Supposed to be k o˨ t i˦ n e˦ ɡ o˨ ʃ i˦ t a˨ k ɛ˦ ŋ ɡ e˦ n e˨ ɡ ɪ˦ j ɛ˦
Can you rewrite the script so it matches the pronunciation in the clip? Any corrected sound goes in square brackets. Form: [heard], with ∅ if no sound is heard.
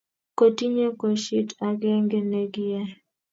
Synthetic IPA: k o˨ t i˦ [ɲ] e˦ [k] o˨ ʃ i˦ t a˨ [ɡ] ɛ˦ ŋ ɡ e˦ n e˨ ɡ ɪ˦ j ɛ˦